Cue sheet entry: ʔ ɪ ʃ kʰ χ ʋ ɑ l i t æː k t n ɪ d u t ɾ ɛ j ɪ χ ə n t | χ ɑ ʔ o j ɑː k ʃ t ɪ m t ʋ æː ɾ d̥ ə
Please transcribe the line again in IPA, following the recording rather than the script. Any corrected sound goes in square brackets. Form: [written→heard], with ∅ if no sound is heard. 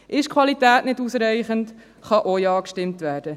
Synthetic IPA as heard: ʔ ɪ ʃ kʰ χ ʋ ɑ l i t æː [k→∅] t n ɪ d u [t→s] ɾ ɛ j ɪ χ ə n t | χ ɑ ʔ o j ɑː k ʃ t ɪ m t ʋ æː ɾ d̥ ə